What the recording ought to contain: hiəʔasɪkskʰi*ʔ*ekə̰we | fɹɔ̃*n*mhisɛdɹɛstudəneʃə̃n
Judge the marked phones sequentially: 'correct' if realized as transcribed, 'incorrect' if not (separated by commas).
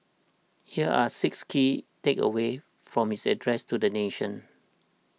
incorrect, incorrect